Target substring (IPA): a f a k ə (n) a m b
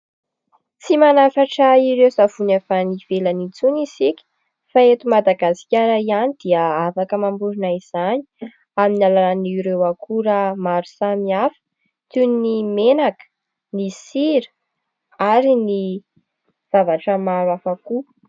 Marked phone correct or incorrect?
incorrect